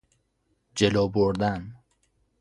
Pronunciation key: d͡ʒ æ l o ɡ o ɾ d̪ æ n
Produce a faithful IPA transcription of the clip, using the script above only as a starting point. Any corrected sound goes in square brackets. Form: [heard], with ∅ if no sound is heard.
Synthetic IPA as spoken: d͡ʒ [e] l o [b] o ɾ d̪ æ n